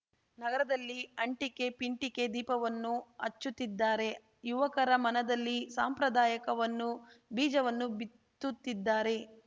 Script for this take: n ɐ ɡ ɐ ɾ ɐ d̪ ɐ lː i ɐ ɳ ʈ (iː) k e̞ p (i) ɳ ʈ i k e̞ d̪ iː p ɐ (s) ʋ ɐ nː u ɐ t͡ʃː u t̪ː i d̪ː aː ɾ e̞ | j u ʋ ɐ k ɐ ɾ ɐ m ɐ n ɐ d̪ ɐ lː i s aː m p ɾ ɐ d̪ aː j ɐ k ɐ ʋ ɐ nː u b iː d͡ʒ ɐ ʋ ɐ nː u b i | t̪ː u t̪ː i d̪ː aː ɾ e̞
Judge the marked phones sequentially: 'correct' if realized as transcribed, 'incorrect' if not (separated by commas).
incorrect, correct, incorrect